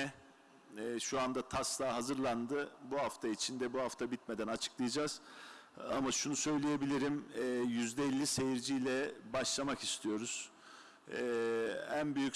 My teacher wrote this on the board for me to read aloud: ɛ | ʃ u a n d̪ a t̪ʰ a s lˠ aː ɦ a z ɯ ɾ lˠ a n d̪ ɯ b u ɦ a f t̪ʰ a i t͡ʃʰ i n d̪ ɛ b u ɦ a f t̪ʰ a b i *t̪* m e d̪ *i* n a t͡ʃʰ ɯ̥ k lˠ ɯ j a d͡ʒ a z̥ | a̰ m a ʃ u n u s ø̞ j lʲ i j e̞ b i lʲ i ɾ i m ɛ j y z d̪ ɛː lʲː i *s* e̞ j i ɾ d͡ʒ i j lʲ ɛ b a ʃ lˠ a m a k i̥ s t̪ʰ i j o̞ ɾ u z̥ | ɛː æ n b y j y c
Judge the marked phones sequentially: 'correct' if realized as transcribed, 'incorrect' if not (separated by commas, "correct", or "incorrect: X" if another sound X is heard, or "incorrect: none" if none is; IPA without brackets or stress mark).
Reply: correct, incorrect: æ, correct